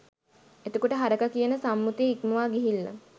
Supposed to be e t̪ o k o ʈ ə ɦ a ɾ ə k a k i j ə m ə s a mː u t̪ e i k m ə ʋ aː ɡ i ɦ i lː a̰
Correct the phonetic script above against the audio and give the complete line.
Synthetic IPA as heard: e t̪ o k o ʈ ə ɦ a ɾ ə k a k i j ə n ə s a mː u t̪ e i k m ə ʋ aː ɡ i ɦ i lː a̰